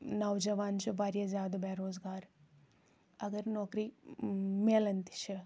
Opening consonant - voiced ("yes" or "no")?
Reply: yes